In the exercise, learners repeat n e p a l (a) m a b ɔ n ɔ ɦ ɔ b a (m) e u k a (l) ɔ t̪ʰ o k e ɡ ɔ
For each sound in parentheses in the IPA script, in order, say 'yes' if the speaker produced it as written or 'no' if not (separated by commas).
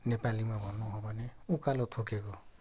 no, no, yes